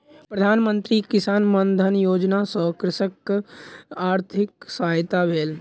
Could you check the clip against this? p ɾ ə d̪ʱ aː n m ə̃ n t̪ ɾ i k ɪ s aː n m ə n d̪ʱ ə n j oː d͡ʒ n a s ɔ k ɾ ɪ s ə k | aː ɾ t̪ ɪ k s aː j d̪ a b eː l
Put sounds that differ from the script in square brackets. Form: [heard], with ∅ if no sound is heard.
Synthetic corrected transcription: p ɾ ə d̪ʱ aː n m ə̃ n t̪ ɾ i k ɪ s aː n m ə n d̪ʱ ə n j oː d͡ʒ n a s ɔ k ɾ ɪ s ə k | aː ɾ [t̪ʰ] ɪ k s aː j [t̪] a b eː l